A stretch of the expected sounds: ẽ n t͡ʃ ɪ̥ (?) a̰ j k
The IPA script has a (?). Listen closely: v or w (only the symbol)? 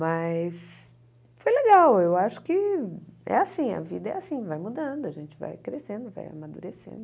v